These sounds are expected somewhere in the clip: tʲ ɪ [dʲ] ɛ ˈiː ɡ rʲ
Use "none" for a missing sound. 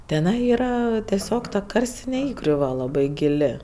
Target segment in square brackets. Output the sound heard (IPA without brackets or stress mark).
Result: nʲ